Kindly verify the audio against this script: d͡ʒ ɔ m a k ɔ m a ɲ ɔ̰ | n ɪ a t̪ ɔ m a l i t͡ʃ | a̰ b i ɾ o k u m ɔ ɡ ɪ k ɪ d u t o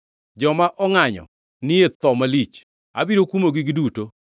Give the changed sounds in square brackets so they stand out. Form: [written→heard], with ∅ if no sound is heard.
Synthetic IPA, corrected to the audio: d͡ʒ ɔ m a [k→ʔ] ɔ [m→ŋ] a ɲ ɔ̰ | n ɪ [a→e] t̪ ɔ m a l i t͡ʃ | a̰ b i ɾ o k u m [ɔ→o] ɡ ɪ [k→ɡ] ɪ d u t o